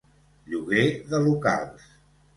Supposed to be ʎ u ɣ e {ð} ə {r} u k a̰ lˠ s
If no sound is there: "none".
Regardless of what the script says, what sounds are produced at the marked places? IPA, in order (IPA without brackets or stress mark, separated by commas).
ð, l